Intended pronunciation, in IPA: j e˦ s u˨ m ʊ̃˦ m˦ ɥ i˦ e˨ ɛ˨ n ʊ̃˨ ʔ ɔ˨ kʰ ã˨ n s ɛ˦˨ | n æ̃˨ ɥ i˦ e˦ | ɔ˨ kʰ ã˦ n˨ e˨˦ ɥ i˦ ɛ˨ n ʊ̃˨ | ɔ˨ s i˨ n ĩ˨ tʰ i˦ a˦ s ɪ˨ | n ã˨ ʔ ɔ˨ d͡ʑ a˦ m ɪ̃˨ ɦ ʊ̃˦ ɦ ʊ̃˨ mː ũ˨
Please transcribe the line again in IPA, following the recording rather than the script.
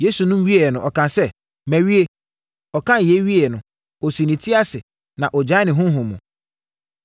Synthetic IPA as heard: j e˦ s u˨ n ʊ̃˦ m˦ ɥ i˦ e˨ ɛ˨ n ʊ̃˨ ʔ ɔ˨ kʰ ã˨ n s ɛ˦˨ | m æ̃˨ ɥ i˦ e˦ | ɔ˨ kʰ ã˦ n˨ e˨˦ ɥ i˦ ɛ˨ n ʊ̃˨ | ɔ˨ s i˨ n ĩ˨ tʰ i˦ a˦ s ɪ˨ | n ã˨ ʔ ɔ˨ d͡ʑ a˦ n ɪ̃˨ ɦ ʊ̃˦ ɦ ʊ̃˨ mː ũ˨

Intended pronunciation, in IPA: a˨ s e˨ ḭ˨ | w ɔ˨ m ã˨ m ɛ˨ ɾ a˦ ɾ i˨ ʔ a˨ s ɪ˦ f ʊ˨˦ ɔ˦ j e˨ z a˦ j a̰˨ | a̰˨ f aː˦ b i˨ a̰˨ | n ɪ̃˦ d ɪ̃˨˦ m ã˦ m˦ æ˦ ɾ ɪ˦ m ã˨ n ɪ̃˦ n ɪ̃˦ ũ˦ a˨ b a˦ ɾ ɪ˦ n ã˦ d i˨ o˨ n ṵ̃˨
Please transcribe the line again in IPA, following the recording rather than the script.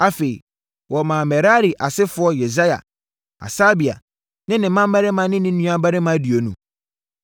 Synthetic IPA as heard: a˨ f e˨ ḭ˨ | w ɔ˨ m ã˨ m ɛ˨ ɾ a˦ ɾ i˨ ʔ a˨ s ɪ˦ f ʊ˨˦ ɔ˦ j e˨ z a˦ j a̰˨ | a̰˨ s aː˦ b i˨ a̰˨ | n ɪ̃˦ n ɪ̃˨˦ m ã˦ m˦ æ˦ ɾ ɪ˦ m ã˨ n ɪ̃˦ n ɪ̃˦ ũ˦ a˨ b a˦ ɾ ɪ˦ m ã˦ d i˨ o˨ n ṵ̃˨

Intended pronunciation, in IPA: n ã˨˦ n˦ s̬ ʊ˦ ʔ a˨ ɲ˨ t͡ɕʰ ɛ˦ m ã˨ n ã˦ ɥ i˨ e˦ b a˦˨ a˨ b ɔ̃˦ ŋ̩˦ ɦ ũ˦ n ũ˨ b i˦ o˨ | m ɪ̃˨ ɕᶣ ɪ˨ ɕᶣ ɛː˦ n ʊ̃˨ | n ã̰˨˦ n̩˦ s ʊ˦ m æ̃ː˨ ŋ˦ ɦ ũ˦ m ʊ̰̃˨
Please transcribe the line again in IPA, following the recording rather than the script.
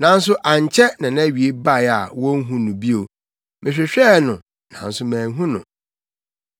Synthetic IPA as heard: n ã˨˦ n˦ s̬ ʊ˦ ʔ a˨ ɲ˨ t͡ɕʰ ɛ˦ n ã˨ n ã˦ ɥ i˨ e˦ b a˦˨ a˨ w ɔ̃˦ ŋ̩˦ ɦ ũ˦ n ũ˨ b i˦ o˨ | m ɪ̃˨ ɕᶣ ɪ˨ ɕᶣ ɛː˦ n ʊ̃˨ | n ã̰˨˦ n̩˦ s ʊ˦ m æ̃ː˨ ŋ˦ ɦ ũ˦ n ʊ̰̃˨

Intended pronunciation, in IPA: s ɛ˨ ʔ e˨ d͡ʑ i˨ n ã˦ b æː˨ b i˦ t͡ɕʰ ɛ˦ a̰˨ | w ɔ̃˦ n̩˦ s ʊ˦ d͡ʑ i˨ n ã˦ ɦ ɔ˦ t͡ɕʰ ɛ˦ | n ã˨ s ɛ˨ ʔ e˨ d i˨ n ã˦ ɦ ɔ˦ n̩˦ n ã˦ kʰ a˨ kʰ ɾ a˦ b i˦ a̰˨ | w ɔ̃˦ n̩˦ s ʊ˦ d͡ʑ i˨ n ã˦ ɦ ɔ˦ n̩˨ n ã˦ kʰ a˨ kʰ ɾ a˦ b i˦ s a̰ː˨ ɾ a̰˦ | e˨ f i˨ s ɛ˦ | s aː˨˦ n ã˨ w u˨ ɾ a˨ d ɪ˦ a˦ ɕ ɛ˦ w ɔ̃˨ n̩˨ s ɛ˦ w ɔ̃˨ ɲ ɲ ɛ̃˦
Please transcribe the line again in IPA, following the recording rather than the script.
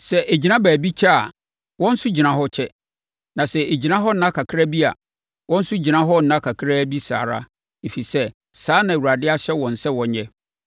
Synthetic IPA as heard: s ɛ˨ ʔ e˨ d͡ʑ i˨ n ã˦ b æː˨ b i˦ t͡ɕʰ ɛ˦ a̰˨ | w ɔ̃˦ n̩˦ s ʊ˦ d͡ʑ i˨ n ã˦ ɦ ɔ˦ t͡ɕʰ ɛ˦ | n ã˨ s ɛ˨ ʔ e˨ d͡ʑ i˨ n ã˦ ɦ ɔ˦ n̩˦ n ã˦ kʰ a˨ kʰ ɾ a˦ b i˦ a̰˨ | w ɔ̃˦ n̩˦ s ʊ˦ d͡ʑ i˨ n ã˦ ɦ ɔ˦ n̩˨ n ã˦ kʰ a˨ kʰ ɾ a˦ b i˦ s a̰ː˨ ɾ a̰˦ | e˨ f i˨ s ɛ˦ | s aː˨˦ n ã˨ w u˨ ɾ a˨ d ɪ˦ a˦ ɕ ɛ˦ w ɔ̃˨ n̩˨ s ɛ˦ w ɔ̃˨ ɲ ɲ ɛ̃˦

